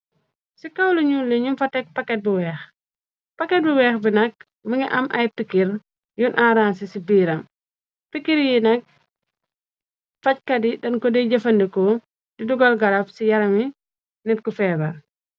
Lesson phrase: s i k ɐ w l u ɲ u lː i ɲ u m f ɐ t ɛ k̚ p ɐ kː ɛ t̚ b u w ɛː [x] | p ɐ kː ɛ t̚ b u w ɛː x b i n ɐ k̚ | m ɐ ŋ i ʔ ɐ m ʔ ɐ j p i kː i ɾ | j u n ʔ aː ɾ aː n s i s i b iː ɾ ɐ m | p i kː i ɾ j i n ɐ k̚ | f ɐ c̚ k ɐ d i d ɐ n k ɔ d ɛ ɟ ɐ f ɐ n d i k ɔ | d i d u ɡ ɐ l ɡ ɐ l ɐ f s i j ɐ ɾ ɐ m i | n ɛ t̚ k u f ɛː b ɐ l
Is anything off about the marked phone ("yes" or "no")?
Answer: no